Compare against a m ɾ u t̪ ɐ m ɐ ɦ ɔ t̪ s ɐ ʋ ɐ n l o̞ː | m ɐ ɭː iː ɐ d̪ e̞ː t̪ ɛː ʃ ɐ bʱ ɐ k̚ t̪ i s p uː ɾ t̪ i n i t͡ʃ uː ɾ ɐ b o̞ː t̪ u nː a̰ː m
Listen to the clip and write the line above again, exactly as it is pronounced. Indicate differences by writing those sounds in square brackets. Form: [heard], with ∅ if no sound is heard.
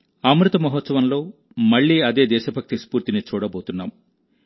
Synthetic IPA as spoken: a m ɾ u t̪ ɐ m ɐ ɦ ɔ t̪ s ɐ ʋ ɐ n l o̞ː | m ɐ ɭː iː ɐ d̪ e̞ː [d̪] ɛː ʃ ɐ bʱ ɐ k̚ t̪ i s p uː ɾ t̪ i n i t͡ʃ uː [ɽ] ɐ b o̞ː t̪ u nː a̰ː m